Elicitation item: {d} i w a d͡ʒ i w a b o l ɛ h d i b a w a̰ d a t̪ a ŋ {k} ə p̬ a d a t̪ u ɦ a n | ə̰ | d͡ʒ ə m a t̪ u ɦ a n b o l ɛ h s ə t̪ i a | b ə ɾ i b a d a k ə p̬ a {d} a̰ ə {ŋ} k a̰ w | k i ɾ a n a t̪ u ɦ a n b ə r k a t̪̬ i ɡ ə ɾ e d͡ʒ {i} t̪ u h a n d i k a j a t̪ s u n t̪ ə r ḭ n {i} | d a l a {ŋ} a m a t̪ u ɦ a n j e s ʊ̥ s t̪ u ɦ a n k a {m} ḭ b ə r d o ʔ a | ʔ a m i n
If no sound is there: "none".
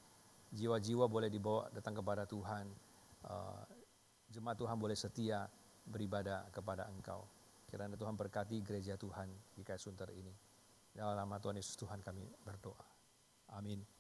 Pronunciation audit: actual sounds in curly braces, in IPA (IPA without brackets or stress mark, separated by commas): d͡ʒ, k, d, ŋ, a, i, n, m